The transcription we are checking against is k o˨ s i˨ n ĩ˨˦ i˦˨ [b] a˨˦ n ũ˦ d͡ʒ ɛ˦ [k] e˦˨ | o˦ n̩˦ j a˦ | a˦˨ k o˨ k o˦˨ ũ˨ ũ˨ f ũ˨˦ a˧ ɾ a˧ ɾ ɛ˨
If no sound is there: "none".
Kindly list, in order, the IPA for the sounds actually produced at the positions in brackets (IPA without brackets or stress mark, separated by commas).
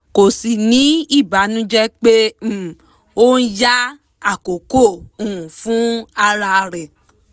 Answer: b, k͡p